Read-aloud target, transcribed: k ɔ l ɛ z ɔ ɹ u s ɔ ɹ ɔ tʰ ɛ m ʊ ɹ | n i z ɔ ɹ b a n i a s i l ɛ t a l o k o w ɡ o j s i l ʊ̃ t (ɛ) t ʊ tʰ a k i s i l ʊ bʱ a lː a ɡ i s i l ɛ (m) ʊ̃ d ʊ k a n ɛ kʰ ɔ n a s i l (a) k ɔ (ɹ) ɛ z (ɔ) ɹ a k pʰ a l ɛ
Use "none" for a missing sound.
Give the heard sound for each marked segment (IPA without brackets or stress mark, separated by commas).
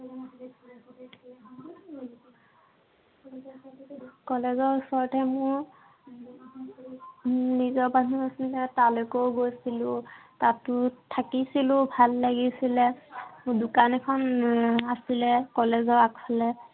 a, m, ɛ, l, ɔ